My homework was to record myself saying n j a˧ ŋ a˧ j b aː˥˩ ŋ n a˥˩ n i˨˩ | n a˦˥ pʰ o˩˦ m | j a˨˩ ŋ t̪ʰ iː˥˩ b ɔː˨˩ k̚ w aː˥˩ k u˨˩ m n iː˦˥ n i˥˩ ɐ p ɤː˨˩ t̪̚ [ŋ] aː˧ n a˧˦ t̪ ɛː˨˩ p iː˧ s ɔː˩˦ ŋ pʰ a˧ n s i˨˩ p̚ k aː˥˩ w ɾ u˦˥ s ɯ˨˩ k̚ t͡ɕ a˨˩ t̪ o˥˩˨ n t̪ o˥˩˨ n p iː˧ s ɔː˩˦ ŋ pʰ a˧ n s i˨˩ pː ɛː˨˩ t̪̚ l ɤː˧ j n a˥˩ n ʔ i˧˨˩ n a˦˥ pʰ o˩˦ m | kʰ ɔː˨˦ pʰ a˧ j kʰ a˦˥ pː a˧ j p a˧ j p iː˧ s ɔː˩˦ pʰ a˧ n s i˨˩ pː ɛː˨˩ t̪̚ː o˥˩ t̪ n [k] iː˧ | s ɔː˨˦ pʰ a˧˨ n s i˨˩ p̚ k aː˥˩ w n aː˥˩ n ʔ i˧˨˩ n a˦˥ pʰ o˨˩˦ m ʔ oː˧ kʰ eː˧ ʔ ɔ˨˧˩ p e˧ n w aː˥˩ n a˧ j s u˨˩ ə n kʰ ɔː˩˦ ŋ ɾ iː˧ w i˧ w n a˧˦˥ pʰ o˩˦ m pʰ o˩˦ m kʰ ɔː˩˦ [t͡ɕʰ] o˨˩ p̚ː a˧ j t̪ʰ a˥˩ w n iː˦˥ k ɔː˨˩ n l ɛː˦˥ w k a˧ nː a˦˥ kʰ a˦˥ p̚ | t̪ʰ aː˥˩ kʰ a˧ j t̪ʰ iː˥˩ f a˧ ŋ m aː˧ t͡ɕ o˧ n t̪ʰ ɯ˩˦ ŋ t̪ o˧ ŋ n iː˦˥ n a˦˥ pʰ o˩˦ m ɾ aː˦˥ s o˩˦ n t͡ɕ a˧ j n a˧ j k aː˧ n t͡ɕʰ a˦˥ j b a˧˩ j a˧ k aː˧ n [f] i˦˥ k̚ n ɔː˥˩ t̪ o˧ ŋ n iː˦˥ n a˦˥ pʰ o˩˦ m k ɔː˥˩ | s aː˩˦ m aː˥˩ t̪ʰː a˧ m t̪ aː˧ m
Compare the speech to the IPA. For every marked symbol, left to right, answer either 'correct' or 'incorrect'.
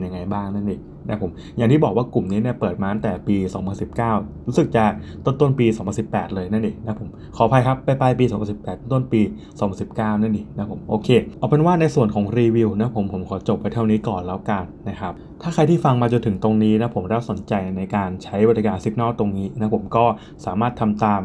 incorrect, incorrect, incorrect, incorrect

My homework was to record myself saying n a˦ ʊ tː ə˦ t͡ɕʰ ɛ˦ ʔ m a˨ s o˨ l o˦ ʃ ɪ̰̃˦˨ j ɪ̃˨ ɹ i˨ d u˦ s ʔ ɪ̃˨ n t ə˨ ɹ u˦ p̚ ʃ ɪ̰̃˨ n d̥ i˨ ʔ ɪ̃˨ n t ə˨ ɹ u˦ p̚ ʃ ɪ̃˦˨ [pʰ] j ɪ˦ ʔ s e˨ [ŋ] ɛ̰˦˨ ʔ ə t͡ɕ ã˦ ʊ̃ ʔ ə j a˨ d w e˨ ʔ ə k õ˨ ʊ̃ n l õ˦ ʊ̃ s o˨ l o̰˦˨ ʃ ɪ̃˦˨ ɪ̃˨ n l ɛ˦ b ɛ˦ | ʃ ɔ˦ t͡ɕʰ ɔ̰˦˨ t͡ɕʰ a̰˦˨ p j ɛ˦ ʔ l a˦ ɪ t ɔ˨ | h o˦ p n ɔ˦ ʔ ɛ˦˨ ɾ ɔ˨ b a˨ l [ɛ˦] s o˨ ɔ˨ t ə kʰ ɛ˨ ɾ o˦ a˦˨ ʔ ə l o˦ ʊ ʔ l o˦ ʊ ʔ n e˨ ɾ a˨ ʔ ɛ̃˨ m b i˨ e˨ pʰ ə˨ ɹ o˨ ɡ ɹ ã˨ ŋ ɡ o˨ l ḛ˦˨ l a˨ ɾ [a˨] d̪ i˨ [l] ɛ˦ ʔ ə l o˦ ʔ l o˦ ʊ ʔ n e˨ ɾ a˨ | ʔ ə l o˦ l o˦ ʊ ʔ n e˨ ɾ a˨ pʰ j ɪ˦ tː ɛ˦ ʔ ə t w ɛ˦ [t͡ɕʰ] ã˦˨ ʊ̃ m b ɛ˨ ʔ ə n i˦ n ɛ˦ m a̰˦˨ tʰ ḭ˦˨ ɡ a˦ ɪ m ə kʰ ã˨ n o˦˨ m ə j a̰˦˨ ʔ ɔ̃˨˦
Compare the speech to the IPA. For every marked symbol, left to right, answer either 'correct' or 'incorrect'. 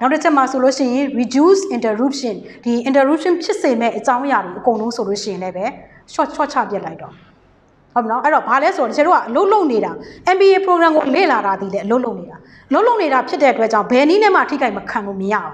correct, incorrect, correct, correct, correct, incorrect

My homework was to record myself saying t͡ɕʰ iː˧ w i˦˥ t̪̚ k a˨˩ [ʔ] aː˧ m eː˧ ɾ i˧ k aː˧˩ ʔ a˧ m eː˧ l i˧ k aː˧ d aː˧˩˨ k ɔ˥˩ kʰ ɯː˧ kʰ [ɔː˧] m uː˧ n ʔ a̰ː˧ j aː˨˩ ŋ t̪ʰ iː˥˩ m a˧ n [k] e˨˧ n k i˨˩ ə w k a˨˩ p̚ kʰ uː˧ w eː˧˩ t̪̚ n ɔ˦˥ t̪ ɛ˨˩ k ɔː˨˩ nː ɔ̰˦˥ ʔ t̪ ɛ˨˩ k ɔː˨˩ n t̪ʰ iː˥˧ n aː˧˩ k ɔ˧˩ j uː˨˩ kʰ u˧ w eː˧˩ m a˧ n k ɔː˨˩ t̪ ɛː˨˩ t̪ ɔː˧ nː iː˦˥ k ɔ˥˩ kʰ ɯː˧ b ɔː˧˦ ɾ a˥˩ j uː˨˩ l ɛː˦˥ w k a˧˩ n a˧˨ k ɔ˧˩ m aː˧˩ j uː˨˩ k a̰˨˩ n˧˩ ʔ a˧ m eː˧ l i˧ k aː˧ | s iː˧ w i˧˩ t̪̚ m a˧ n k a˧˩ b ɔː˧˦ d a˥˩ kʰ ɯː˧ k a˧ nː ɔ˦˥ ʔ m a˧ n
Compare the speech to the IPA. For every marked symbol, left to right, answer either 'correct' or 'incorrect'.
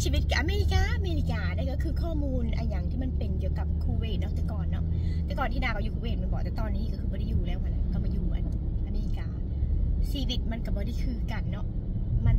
correct, incorrect, incorrect

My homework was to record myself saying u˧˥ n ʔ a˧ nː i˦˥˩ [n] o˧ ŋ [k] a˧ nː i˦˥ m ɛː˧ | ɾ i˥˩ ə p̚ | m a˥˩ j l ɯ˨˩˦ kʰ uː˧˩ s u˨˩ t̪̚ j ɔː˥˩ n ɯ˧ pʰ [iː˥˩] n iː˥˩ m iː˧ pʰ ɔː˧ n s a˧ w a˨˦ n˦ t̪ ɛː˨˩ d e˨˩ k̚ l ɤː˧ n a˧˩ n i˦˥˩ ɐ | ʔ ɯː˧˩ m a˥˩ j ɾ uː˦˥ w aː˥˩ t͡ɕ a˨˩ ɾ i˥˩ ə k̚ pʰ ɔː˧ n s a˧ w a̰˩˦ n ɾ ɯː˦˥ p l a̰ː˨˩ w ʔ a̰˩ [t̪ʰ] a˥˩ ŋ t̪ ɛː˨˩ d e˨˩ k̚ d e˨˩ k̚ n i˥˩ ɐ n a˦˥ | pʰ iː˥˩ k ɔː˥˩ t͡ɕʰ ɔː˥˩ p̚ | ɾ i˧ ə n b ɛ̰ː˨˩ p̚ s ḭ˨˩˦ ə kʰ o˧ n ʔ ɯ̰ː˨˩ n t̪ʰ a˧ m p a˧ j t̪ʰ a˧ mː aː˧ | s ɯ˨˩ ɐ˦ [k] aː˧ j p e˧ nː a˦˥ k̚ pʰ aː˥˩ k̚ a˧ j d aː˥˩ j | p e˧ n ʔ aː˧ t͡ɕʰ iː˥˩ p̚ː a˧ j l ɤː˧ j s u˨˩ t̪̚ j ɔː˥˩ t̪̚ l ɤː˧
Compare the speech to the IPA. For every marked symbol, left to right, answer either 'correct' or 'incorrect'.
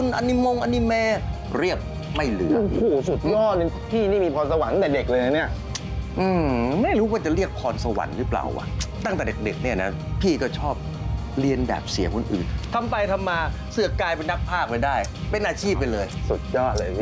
incorrect, incorrect, correct, incorrect, correct

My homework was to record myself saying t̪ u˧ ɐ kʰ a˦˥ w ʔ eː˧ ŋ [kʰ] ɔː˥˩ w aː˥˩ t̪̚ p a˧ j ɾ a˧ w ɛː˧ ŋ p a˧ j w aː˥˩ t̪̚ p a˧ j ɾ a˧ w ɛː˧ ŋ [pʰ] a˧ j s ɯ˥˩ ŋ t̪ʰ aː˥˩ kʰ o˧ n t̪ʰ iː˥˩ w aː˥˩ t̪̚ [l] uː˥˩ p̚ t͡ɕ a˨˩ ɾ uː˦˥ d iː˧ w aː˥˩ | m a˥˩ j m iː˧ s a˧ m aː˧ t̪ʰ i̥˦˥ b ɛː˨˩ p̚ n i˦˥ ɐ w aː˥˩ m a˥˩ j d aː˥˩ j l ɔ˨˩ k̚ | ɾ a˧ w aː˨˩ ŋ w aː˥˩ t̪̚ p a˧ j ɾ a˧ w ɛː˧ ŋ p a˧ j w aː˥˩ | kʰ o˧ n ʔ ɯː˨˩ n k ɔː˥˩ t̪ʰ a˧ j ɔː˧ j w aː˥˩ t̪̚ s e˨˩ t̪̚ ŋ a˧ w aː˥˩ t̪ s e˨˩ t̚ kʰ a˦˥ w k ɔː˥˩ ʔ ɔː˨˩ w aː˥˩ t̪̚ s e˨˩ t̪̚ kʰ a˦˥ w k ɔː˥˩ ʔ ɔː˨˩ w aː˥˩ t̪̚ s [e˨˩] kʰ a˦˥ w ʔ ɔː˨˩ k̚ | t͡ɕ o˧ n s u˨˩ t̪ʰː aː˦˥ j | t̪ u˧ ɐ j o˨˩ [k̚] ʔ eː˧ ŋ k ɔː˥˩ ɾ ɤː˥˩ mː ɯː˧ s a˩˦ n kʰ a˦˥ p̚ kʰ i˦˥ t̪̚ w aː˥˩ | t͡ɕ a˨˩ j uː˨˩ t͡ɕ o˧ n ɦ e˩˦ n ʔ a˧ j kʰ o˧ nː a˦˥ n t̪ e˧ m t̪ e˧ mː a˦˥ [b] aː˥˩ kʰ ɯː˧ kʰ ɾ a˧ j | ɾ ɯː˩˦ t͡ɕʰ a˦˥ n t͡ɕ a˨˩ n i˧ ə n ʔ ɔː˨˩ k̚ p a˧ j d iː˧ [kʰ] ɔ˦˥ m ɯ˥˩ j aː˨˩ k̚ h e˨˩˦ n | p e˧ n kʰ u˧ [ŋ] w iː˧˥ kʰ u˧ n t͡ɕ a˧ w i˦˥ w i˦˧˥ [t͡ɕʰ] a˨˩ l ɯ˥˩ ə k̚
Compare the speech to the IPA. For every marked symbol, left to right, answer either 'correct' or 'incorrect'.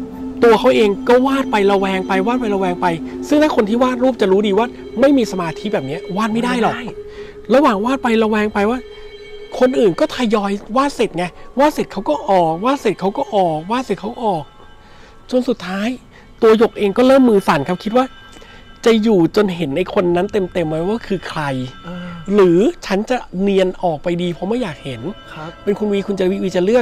incorrect, incorrect, incorrect, correct, correct, incorrect, incorrect, incorrect, incorrect

